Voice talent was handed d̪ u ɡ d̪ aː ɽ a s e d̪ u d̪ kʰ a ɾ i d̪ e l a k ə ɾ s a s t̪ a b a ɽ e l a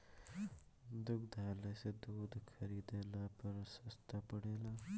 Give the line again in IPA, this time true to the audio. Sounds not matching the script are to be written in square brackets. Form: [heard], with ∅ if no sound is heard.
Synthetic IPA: d̪ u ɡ d̪ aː [l] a s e d̪ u d̪ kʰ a ɾ i d̪ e l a [p] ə ɾ s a s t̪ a [p] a ɽ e l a